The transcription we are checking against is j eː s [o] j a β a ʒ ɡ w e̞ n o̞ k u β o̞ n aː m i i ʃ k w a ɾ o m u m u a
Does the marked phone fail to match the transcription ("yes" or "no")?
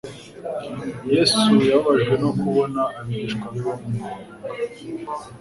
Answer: yes